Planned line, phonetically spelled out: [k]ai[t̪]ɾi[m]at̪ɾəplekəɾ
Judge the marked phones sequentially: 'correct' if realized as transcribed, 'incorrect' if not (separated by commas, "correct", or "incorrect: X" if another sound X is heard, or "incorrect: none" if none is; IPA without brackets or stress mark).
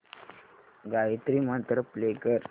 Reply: incorrect: ɡ, correct, correct